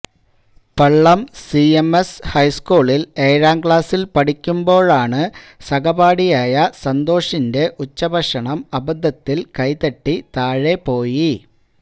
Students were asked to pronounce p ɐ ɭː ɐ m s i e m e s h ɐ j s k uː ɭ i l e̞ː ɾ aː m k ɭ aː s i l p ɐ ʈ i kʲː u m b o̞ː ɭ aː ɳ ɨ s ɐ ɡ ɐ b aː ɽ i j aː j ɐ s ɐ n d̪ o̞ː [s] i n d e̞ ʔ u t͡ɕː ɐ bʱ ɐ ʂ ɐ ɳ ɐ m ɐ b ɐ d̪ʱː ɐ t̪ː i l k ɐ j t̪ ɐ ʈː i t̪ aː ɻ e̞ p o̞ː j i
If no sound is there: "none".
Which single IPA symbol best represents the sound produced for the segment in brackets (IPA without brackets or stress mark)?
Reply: ʂ